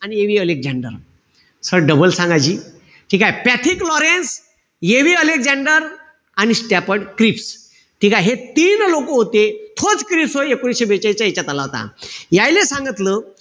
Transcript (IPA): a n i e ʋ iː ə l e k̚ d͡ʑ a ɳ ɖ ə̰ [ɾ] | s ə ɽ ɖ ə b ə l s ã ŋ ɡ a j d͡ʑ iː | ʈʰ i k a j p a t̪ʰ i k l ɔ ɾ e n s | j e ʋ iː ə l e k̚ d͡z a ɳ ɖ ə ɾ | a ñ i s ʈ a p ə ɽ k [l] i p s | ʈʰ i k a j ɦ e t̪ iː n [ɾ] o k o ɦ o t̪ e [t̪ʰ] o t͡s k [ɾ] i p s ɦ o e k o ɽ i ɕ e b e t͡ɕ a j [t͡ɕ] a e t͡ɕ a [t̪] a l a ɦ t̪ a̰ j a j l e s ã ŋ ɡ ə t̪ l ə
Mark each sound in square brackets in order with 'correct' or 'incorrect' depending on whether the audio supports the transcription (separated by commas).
correct, incorrect, incorrect, correct, correct, correct, correct